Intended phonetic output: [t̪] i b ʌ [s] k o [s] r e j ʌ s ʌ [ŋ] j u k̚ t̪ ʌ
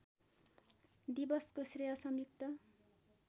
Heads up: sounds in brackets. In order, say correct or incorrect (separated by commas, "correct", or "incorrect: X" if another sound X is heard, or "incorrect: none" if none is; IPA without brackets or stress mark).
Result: incorrect: d̪, correct, correct, incorrect: m